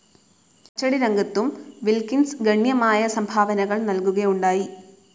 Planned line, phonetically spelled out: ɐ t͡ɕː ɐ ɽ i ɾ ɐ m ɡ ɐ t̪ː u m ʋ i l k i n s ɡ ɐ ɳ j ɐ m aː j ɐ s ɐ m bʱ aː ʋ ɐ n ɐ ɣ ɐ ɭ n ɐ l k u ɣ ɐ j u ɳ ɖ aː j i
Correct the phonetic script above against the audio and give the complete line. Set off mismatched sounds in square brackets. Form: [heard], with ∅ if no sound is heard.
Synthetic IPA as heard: ɐ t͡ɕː ɐ ɽ i ɾ ɐ [ŋ] ɡ ɐ t̪ː u m ʋ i l k i n s ɡ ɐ ɳ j ɐ m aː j ɐ s ɐ m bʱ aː ʋ ɐ n ɐ ɣ ɐ ɭ n ɐ l k u ɣ ɐ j u ɳ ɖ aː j i